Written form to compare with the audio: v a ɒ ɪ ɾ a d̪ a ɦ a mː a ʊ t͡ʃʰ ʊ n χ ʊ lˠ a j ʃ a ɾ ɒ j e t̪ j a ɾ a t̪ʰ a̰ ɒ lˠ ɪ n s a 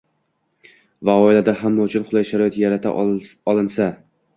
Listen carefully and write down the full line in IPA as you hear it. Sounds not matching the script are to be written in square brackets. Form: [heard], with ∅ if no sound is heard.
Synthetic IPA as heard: v a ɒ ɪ [l] a d̪ a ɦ a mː a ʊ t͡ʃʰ ʊ n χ ʊ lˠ a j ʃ a ɾ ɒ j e t̪ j a ɾ a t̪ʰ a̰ ɒ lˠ ɪ n s a